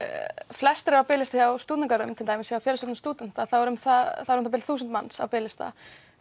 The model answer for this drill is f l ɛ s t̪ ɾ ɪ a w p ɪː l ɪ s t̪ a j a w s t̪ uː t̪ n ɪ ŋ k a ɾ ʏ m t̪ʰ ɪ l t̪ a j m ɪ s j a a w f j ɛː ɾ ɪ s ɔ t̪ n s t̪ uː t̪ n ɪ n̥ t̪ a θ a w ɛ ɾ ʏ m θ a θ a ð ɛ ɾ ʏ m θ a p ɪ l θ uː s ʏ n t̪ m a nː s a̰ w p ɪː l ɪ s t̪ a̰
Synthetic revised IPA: f l ɛ s t̪ ɾ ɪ a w p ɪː l ɪ s t̪ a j a w s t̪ uː t̪ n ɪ ŋ k a ɾ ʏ m t̪ʰ ɪ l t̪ a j m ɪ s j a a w f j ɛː ɾ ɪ s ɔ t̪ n s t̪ uː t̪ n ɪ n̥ t̪ a θ a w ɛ ɾ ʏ m θ a θ a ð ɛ ɾ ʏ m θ a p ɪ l θ uː s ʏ n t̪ m a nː s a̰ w p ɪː l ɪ s t̪ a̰